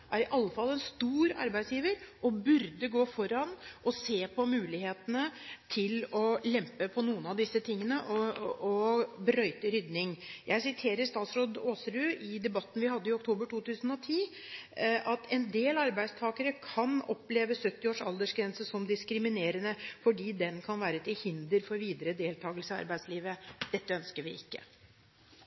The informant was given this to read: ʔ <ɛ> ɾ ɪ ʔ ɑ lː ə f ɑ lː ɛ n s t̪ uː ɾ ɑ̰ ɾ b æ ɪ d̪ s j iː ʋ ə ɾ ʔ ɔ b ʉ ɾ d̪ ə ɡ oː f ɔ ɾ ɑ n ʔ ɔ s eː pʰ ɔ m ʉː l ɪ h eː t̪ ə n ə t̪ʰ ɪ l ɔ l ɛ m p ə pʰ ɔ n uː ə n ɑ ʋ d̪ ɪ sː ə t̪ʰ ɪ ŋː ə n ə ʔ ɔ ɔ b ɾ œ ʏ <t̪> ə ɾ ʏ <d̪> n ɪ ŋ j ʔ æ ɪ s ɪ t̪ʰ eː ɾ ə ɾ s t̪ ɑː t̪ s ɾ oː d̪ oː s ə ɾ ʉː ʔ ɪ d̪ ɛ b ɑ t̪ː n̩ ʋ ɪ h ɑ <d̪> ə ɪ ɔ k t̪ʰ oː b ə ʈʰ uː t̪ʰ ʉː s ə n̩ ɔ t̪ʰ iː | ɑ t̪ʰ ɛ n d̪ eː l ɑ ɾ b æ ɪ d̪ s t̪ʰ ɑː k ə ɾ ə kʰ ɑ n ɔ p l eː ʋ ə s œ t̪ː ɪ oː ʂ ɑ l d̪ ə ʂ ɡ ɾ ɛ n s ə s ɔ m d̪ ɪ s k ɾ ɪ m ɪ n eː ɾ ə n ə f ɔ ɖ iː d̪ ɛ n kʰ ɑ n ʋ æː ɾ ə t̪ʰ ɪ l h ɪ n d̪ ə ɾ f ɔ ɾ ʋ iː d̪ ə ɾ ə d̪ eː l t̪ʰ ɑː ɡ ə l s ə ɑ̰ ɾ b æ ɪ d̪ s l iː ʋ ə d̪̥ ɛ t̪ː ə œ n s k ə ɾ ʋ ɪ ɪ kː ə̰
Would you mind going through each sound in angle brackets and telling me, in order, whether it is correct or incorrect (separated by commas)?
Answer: incorrect, correct, correct, incorrect